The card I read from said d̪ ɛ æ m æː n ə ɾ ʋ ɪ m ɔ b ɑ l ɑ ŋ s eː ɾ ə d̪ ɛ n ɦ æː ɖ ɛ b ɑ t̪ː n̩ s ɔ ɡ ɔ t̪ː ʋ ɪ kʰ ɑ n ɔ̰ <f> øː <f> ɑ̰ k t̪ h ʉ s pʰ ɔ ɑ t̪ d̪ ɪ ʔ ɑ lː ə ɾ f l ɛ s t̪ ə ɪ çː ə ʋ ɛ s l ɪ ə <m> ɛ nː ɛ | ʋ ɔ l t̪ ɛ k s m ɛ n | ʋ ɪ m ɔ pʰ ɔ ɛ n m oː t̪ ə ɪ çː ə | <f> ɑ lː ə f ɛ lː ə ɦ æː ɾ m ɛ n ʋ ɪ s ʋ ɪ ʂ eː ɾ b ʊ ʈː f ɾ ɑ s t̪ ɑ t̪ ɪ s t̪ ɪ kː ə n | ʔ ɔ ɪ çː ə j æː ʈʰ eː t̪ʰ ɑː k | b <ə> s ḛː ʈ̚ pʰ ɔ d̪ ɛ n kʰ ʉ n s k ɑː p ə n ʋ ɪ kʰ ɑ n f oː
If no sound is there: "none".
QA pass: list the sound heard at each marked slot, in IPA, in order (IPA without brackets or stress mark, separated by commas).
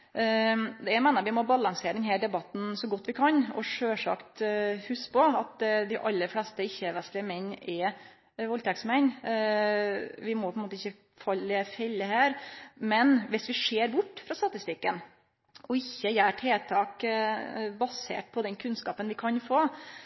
ʂ, ʂ, m, f, ɑ